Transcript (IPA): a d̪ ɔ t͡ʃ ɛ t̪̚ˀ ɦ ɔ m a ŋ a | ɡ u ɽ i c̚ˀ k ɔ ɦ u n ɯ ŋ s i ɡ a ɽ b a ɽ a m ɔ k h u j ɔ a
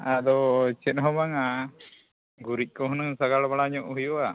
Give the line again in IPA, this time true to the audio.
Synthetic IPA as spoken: a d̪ ɔ t͡ʃ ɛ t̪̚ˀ ɦ ɔ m a ŋ a | ɡ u ɾ i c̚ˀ k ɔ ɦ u n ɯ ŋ s a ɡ a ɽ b a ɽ a ɲ ɔ ʔ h u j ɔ a